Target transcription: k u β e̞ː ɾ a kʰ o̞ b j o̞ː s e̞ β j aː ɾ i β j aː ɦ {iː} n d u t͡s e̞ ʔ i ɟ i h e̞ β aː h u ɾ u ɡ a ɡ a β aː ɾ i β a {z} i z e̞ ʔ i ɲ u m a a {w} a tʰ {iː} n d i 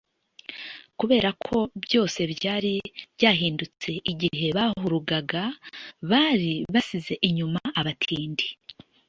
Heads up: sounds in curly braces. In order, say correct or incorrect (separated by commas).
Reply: correct, incorrect, incorrect, correct